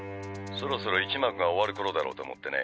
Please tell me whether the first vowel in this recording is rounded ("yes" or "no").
yes